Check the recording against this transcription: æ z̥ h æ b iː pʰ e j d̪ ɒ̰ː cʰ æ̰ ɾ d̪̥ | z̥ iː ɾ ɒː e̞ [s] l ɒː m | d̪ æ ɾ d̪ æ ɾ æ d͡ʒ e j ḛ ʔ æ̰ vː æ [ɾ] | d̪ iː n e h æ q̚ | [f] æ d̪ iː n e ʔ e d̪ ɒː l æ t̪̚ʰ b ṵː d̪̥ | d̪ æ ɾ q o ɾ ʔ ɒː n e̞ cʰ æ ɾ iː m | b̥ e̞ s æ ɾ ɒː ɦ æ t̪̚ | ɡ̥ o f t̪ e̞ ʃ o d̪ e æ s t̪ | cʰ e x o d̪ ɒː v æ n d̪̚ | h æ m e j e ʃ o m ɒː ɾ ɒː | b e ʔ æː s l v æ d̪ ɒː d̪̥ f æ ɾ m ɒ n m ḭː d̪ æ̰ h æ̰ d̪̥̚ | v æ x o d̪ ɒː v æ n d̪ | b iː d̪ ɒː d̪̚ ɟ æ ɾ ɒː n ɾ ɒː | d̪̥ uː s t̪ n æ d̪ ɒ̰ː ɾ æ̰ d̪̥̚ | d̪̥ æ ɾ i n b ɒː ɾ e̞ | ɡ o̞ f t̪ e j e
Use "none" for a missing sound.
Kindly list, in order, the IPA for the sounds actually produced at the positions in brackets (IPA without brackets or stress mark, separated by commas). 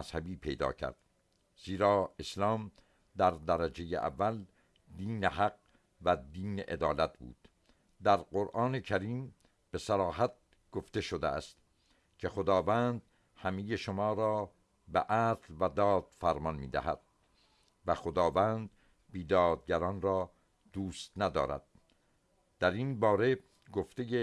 s, l, v